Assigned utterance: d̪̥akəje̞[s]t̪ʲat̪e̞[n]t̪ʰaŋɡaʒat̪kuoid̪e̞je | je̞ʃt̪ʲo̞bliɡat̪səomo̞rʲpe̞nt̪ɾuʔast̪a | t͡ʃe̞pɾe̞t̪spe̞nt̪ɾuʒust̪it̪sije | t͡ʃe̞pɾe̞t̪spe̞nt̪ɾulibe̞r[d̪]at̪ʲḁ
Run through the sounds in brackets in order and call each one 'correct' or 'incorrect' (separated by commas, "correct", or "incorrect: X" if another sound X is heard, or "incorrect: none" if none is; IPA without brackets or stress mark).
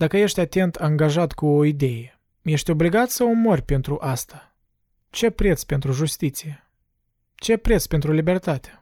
incorrect: ʃ, correct, incorrect: t̪